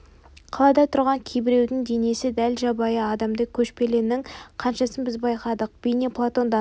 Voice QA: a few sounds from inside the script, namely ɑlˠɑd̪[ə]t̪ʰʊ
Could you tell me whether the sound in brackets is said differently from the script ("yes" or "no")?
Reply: yes